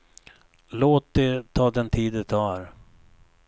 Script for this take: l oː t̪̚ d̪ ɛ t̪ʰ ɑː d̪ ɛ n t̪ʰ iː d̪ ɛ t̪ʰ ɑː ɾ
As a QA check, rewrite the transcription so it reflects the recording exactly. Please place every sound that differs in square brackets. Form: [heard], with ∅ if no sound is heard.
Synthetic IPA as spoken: l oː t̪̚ d̪ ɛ t̪ʰ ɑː d̪ ɛ n t̪ʰ iː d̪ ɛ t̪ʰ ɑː ɾ

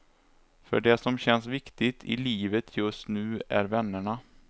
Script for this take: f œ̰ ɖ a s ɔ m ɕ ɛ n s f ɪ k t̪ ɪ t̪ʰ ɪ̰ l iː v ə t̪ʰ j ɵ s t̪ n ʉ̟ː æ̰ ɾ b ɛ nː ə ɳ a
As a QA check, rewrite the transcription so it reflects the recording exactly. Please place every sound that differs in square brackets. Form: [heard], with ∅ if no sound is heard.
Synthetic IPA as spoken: f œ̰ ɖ [ɛ] s ɔ m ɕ ɛ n s [v] ɪ k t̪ ɪ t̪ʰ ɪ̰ l iː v ə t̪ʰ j ɵ s t̪ n ʉ̟ː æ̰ ɾ [v] ɛ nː ə ɳ a

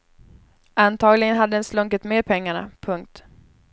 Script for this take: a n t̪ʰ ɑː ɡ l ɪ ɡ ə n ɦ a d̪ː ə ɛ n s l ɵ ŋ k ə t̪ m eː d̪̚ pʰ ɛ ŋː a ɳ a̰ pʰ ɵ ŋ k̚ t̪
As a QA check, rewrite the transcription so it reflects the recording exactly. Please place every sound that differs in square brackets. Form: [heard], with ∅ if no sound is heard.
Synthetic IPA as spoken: a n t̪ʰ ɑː ɡ l ɪ ɡ ə n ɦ a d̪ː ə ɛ n s l ɵ ŋ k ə t̪ m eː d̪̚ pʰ ɛ ŋː a ɳ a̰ pʰ ɵ ŋ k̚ t̪

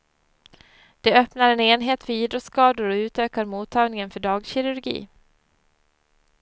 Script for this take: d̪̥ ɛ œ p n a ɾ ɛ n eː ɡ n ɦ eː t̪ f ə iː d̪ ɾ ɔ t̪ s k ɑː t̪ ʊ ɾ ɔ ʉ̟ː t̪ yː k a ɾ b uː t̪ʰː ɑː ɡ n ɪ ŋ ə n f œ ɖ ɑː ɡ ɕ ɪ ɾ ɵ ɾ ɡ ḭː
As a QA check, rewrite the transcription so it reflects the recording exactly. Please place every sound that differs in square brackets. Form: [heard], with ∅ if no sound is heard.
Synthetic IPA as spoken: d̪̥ ɛ œ p n a ɾ ɛ n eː [∅] n ɦ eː t̪ f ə iː d̪ ɾ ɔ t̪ s k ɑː [d̪] ʊ ɾ ɔ ʉ̟ː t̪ [øː] k a ɾ [m] uː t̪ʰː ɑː ɡ n ɪ ŋ ə n f œ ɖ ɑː ɡ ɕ ɪ ɾ ɵ ɾ ɡ ḭː

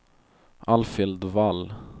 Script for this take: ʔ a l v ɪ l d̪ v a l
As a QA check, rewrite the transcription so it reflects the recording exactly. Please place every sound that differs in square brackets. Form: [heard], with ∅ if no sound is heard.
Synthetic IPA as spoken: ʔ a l [f] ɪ l d̪ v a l

